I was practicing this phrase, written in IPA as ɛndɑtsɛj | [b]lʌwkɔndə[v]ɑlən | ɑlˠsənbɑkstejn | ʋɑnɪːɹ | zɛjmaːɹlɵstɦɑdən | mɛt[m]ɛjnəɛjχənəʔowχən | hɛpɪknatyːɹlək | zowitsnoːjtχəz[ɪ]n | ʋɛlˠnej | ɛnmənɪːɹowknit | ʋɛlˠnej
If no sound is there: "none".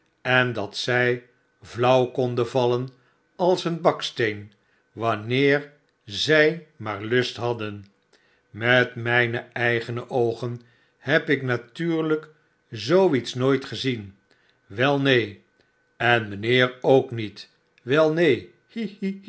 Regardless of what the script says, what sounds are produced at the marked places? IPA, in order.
v, v, m, i

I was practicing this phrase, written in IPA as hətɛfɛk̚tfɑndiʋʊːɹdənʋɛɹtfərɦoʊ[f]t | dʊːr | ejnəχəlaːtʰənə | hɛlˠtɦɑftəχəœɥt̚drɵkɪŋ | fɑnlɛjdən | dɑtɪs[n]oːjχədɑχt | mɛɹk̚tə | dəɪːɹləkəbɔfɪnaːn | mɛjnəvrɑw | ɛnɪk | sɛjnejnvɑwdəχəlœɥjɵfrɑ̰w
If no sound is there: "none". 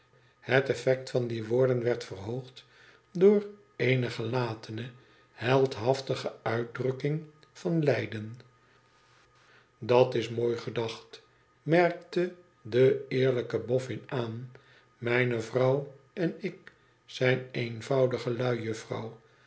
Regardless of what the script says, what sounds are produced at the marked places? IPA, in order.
χ, m

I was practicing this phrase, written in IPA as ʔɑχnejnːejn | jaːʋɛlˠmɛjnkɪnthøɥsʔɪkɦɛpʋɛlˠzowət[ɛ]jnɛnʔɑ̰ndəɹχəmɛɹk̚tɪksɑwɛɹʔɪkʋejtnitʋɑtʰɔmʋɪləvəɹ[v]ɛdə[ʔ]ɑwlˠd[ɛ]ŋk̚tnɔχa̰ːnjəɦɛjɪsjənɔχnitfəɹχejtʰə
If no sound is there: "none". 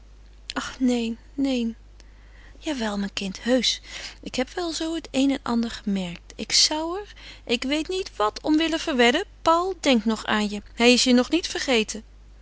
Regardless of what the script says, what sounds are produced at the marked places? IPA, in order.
e, ʋ, p, ɛ

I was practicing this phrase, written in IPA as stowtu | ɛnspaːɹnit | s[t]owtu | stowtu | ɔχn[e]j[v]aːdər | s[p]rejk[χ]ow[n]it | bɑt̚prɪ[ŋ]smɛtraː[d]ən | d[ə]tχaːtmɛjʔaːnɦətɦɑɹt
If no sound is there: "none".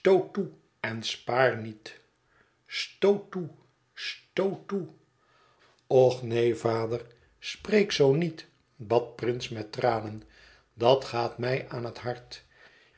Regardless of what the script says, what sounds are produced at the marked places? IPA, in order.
t, e, v, p, s, n, n, n, ɑ

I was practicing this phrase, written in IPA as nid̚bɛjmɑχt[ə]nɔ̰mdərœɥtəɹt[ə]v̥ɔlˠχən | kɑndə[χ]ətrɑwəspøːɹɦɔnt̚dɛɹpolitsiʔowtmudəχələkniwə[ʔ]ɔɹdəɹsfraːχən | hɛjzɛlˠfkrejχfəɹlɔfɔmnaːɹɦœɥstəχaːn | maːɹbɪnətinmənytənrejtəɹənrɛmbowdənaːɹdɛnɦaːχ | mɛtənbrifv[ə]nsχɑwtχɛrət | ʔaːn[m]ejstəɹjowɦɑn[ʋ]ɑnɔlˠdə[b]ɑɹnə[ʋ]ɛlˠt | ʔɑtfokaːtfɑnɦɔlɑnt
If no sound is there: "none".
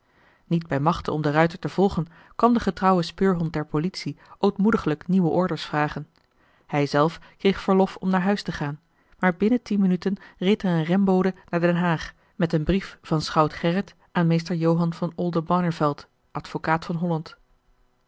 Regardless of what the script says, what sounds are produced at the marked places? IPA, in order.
ə, ə, χ, ʔ, ɑ, m, v, b, v

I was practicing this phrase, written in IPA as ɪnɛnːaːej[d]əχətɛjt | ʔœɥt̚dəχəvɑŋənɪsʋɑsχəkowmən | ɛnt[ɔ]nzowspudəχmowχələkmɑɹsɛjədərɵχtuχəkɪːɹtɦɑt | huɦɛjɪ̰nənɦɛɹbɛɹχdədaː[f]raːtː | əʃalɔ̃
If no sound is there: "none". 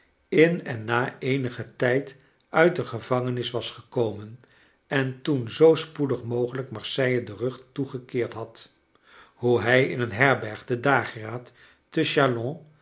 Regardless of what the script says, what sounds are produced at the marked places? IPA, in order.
n, u, χ

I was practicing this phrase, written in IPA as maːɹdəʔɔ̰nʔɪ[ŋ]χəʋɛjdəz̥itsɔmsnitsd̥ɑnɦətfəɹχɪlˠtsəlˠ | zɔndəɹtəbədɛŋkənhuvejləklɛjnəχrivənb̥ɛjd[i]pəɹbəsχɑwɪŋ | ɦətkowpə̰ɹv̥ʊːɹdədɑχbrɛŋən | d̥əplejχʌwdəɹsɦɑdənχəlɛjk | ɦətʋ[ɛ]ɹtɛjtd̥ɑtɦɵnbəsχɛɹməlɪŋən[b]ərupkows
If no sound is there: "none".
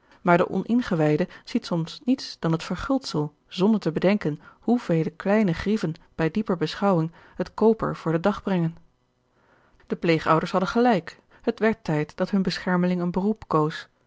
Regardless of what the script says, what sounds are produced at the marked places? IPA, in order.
n, i, ɛ, b

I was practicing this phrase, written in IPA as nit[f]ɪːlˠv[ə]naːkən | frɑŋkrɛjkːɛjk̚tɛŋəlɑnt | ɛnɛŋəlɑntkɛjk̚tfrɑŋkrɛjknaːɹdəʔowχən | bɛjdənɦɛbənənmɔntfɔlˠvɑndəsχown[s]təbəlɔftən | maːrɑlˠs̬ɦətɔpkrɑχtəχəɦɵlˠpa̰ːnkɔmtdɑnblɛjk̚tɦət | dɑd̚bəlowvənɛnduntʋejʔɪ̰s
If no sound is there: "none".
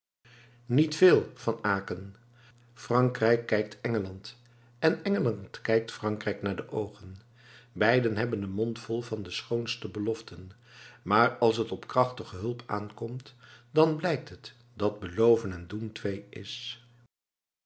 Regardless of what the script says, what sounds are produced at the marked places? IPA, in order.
f, ɑ, s

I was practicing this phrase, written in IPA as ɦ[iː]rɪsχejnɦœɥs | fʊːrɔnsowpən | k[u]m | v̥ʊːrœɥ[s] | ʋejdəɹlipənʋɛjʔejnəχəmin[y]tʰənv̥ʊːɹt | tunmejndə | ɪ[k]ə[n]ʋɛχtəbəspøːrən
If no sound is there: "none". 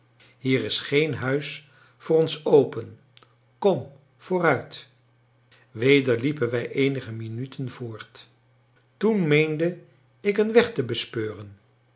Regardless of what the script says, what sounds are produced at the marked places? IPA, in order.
iː, ɔ, t, y, k, n

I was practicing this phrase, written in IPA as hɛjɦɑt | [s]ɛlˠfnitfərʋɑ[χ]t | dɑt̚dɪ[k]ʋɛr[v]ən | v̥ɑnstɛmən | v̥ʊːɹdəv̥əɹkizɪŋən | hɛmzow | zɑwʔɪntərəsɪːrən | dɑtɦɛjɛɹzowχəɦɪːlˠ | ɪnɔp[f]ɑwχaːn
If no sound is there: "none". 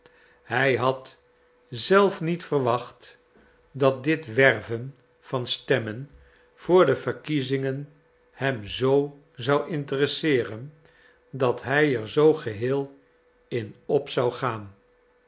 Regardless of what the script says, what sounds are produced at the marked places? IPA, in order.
z, χ, t, v, s

